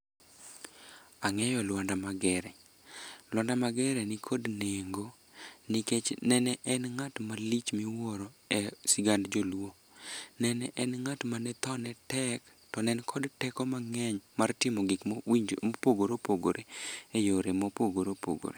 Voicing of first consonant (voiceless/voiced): voiced